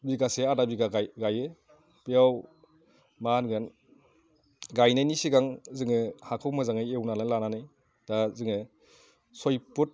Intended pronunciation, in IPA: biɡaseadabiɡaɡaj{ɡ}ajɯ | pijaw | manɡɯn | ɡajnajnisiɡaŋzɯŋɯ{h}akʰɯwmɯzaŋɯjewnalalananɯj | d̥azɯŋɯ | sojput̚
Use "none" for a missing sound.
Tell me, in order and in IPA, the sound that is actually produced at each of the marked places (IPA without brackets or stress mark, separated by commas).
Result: ɡ, h